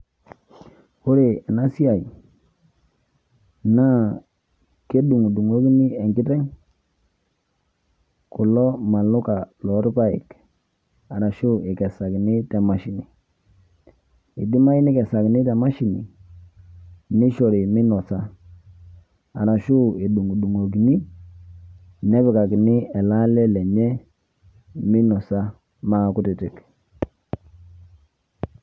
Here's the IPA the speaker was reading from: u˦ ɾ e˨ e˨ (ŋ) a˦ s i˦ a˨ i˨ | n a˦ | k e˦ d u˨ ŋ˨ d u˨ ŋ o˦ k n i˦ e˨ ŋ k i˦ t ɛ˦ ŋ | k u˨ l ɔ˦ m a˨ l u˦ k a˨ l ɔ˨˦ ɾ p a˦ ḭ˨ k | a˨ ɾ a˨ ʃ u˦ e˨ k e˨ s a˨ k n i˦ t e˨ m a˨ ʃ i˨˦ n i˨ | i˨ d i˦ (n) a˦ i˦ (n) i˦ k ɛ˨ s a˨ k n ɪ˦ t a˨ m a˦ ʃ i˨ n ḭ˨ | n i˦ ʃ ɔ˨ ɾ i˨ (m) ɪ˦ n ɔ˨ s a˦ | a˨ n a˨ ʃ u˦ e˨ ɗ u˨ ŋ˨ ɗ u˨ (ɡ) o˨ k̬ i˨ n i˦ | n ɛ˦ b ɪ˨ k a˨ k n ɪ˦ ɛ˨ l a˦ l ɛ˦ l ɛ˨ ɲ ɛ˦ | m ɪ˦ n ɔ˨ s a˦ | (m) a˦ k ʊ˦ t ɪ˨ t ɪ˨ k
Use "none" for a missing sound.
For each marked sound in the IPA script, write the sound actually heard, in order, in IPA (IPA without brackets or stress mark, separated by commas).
n, m, n, m, ŋ, m